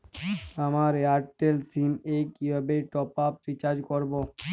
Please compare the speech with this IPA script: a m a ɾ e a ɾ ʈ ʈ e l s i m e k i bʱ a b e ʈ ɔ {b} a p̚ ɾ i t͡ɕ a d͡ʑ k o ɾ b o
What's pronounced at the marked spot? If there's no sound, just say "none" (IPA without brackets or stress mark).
p